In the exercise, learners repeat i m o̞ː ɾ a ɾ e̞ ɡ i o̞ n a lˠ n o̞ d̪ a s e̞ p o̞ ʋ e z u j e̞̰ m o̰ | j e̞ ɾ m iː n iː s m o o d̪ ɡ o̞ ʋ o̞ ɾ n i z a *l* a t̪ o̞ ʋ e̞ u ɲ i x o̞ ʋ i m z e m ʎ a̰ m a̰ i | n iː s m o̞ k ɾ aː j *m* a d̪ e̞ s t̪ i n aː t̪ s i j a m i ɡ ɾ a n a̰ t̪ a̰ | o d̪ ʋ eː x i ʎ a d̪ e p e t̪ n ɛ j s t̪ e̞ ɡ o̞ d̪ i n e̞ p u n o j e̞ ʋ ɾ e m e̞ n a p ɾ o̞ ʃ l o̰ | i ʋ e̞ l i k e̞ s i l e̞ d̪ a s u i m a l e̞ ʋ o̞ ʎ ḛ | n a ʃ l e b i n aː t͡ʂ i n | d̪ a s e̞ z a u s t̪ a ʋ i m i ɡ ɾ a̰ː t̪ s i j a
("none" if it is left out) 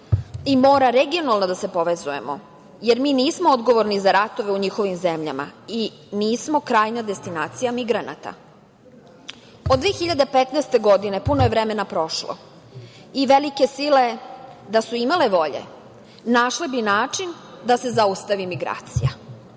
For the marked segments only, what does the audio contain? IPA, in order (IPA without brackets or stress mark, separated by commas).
ɾ, n